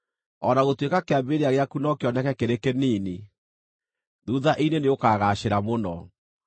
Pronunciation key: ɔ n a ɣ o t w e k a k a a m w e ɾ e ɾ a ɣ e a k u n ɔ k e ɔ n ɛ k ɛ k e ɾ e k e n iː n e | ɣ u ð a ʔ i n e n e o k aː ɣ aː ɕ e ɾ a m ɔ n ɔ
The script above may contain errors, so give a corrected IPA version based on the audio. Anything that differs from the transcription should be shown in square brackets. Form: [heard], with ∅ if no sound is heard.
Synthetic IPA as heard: ɔ n a ɣ o t w e k a k [e] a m [b] e ɾ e [∅] a ɣ e a k u n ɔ k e ɔ n ɛ k ɛ k e ɾ e k e n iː n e | [ð] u ð a ʔ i n e n e o k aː ɣ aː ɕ e ɾ a m [o] n ɔ

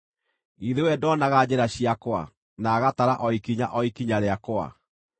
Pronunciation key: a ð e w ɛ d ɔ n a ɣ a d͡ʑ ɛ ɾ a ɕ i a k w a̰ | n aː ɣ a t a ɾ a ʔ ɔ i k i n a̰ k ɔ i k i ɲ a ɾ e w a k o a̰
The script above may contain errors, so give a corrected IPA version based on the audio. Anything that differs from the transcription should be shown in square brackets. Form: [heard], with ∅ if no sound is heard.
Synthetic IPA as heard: [i] ð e w ɛ d ɔ n a ɣ a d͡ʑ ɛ ɾ a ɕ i a k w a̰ | n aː ɣ a t a ɾ a ʔ ɔ i k i [ɲ] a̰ [ʔ] ɔ i k i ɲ a ɾ e [∅] a k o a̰

